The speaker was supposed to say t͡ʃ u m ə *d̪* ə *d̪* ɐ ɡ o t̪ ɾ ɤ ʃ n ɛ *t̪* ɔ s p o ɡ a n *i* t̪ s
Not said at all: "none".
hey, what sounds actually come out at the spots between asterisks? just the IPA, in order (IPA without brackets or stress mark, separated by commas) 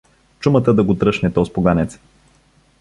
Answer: t̪, d̪, t̪, ɛ